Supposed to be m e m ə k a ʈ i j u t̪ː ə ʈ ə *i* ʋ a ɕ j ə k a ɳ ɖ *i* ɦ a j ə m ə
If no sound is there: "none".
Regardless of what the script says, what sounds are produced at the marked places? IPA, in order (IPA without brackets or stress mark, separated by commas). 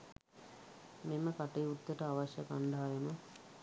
a, a